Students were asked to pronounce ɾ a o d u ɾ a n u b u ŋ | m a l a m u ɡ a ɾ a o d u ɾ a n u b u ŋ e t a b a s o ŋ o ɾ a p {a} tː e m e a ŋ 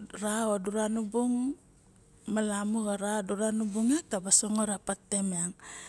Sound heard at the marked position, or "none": a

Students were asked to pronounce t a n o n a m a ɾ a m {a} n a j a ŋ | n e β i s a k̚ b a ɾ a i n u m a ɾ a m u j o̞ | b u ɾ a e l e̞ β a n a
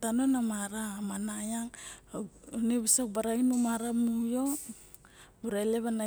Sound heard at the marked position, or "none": a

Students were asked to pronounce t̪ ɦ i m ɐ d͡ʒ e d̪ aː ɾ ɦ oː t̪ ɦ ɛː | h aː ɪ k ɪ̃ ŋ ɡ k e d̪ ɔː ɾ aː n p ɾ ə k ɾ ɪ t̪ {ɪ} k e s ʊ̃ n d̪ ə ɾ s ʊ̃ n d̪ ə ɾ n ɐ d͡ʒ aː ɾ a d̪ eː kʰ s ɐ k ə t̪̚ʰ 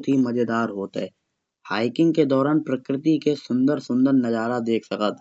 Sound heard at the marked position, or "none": i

